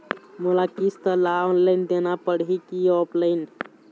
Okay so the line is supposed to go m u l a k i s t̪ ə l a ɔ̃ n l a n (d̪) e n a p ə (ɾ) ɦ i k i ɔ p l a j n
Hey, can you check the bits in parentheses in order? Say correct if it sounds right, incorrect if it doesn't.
correct, incorrect

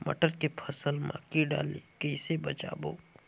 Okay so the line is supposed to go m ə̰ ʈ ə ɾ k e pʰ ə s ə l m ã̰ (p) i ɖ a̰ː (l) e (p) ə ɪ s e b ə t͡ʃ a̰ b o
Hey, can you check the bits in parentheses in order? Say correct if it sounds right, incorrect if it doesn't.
incorrect, correct, incorrect

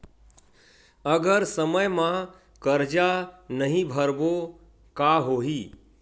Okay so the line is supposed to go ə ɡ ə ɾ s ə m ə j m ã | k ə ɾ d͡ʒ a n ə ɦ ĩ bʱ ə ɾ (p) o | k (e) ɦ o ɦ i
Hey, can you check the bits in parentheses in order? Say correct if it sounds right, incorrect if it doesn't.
incorrect, incorrect

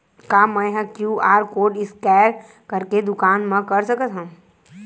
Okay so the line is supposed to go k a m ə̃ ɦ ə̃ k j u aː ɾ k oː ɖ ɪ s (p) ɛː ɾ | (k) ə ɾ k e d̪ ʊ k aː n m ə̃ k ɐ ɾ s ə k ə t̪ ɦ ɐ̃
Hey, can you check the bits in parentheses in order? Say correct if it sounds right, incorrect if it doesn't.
incorrect, correct

